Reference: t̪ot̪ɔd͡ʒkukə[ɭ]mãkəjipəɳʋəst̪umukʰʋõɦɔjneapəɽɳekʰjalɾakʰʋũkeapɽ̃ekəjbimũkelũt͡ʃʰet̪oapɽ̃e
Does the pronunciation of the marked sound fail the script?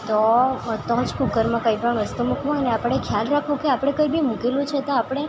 yes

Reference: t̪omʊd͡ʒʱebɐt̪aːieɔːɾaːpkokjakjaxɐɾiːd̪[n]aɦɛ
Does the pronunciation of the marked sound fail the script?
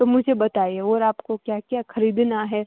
no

